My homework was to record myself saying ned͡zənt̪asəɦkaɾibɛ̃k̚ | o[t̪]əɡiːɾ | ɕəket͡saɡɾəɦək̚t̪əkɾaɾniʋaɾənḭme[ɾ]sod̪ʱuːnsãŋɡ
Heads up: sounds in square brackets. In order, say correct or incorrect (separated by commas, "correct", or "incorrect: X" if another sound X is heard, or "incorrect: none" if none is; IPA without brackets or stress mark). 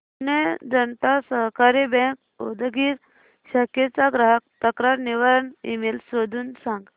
incorrect: d̪, incorrect: l